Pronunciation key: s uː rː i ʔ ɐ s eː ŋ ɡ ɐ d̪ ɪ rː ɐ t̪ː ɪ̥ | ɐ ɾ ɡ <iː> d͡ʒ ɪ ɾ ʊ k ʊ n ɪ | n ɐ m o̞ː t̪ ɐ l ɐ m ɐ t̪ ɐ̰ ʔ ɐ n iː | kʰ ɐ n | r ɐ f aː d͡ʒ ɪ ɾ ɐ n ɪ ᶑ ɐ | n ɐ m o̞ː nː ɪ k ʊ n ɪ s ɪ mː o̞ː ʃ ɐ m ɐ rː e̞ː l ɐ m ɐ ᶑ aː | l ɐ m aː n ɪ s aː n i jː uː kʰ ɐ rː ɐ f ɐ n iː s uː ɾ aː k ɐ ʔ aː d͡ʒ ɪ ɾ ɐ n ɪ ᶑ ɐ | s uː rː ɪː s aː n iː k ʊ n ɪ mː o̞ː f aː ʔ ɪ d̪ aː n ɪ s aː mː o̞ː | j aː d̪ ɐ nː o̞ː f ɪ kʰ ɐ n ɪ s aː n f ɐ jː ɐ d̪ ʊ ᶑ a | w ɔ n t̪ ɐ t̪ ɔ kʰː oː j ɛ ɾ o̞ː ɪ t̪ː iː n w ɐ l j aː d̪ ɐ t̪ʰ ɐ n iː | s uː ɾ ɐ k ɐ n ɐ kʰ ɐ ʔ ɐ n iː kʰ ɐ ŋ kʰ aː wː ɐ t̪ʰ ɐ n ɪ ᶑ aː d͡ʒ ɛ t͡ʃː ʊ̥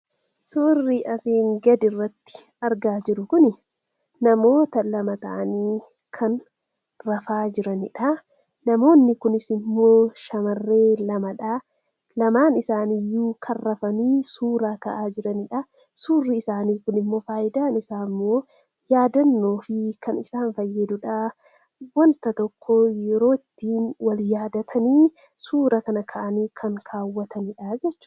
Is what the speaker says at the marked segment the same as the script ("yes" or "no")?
no